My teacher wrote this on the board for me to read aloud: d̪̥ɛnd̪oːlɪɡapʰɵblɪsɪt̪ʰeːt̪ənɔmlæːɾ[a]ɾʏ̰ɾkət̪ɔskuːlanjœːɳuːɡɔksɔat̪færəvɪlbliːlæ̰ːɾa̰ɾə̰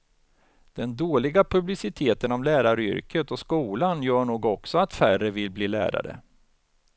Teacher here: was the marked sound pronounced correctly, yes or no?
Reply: yes